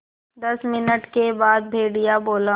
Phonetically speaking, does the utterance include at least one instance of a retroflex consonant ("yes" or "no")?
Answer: yes